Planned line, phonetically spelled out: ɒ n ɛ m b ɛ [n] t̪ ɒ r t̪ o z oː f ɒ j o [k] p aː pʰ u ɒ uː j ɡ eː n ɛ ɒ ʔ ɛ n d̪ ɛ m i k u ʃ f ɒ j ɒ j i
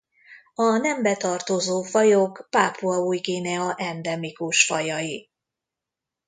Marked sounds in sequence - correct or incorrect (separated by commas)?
incorrect, correct